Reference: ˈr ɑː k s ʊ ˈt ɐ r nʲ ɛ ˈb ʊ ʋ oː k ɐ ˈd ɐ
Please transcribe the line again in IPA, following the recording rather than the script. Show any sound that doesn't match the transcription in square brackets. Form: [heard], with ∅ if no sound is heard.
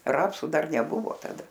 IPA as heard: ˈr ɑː [p] s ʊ [ˈd] ɐ r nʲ ɛ ˈb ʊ ʋ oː [t] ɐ ˈd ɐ